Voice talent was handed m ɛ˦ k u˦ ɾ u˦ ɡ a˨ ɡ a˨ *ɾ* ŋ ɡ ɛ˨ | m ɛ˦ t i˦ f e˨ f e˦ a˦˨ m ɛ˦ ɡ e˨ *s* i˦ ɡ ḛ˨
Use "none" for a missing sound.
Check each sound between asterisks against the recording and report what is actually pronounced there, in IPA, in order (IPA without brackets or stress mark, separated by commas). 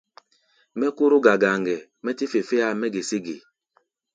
none, s